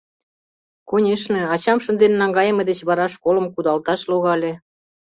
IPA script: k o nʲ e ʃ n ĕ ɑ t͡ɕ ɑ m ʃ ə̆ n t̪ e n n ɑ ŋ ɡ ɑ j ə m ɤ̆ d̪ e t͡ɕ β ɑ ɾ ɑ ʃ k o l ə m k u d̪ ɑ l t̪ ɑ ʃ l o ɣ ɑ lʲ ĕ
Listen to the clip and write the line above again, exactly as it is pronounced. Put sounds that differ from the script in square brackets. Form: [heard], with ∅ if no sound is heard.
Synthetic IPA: k o nʲ e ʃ n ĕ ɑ t͡ɕ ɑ m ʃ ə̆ n [d̪] e n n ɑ ŋ ɡ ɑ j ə m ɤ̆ d̪ e t͡ɕ β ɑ ɾ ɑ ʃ k o l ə m k u d̪ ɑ l t̪ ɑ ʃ l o ɣ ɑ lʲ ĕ

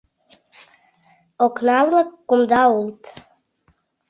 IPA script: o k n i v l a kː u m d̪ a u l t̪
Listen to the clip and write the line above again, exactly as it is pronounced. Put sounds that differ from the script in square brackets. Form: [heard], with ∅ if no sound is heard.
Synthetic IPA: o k n [a] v l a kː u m d̪ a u l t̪

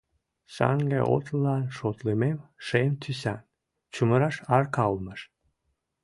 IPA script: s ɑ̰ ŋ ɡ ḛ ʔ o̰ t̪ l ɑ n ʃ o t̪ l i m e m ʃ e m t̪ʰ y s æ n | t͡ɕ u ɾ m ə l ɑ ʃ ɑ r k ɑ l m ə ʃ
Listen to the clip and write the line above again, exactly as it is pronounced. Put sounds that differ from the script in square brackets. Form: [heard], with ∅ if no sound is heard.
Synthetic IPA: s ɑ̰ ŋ ɡ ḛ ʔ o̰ t̪ l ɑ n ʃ o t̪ l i m e m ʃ e m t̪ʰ y s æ n | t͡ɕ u [∅] m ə [ɾ] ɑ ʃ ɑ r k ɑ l m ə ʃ

